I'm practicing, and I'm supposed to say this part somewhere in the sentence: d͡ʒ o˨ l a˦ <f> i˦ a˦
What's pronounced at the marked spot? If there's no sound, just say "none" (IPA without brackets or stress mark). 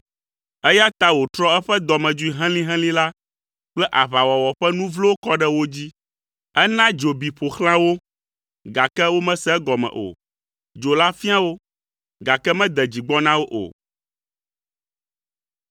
f